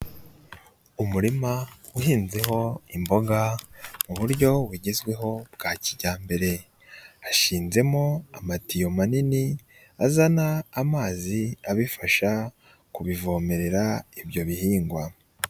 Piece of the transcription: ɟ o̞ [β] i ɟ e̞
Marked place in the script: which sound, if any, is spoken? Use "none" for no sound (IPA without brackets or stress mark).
w